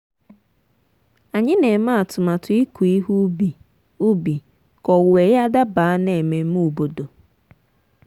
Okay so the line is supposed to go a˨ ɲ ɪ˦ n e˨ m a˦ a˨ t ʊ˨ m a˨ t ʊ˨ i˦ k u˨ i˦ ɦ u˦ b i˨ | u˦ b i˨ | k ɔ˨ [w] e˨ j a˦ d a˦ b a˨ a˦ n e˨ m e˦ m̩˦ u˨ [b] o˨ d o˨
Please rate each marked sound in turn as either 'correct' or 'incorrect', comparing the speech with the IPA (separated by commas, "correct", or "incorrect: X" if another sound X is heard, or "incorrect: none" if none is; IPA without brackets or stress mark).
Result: correct, correct